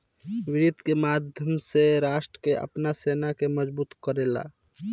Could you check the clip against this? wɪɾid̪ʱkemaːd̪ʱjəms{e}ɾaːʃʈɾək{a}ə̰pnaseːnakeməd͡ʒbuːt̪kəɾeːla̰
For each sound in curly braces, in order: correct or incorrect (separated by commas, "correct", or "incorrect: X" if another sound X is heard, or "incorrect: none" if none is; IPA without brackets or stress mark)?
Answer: correct, incorrect: e